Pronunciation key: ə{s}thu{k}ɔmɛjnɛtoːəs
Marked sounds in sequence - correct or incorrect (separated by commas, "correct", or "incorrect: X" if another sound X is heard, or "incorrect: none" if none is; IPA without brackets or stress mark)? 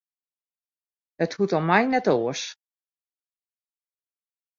incorrect: none, incorrect: t